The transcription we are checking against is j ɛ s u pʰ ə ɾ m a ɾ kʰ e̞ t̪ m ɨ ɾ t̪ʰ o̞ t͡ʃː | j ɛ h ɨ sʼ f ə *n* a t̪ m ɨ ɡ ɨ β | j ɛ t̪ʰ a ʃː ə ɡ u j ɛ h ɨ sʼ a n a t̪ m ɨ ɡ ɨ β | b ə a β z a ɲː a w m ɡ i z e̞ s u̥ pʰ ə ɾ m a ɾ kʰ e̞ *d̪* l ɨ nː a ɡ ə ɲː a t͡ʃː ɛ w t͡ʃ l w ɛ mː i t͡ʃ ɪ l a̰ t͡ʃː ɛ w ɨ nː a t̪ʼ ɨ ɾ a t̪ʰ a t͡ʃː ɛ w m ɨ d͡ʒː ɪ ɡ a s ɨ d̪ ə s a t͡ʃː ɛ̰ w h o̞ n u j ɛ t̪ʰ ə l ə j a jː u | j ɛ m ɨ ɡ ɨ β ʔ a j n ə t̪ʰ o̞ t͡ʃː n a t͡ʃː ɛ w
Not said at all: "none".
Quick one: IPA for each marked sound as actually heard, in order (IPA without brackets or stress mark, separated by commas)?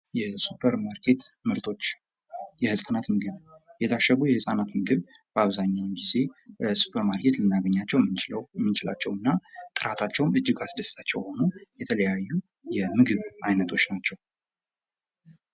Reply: n, t̪